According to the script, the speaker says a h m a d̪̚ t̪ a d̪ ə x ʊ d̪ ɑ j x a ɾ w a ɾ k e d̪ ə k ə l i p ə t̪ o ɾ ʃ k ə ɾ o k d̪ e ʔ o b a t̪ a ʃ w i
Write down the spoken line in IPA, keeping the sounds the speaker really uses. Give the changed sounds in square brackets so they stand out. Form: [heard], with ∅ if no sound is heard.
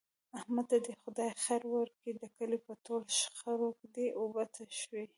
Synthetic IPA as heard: a h m a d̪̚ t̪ a d̪ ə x ʊ d̪ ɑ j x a ɾ w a ɾ k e d̪ ə k ə l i p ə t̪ o [l] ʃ [x] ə ɾ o k d̪ e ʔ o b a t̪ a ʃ w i